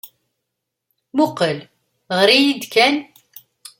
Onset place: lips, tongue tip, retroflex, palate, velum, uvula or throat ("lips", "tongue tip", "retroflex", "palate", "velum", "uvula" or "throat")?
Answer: lips